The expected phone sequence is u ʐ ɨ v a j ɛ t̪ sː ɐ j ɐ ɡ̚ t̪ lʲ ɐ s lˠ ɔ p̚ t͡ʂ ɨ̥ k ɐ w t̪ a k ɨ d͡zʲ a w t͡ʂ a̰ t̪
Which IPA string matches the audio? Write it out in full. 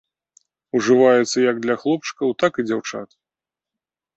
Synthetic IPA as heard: u ʐ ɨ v a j ɛ t̪ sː ɐ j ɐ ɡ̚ d̪ lʲ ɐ x lˠ ɔ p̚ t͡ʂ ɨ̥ k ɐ w t̪ a k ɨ d͡zʲ a w t͡ʂ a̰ t̪